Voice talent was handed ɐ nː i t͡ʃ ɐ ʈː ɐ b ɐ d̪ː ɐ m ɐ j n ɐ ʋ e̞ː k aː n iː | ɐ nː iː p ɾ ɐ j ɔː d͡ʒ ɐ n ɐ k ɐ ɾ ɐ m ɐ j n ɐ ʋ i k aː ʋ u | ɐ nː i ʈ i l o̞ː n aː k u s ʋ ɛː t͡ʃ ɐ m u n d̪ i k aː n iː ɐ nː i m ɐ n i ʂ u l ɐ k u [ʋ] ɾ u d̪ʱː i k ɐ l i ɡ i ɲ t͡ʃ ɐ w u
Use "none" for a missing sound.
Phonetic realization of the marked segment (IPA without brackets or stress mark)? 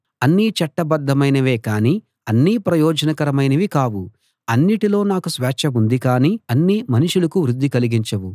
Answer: ʋ